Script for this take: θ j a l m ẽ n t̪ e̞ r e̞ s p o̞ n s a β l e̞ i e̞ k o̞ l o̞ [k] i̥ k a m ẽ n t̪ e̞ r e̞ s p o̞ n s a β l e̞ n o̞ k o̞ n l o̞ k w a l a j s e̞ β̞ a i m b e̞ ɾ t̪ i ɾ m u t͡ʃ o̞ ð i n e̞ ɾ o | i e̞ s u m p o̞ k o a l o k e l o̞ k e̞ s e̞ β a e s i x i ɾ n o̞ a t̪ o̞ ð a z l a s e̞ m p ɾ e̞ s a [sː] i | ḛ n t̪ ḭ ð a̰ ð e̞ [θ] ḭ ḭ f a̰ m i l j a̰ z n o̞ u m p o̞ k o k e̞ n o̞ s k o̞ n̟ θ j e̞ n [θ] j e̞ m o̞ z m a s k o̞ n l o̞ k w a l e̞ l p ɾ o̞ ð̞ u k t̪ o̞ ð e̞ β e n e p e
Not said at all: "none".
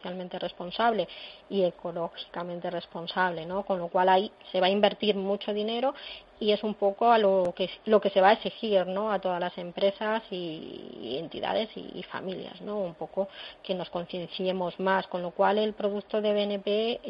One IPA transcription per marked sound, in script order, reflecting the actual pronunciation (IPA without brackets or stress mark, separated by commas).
x, s, s, θ